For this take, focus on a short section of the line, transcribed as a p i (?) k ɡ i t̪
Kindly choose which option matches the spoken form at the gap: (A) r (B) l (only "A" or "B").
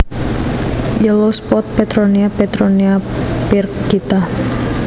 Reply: A